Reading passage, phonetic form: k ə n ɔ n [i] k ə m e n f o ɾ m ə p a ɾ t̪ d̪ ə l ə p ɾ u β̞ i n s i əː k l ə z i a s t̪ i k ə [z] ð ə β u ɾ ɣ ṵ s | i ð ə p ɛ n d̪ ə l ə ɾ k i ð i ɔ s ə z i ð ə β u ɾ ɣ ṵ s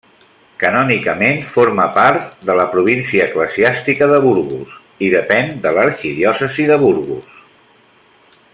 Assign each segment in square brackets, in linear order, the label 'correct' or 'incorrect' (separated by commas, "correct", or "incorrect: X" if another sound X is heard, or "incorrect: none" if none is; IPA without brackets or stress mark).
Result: correct, incorrect: none